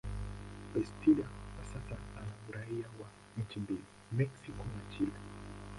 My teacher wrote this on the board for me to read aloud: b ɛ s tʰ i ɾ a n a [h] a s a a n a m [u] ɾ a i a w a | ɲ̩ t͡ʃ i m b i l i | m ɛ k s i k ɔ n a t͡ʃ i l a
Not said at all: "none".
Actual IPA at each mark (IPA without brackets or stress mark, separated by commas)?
s, u